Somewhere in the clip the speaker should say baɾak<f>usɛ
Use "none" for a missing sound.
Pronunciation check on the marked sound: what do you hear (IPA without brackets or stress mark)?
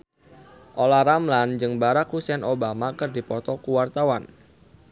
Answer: h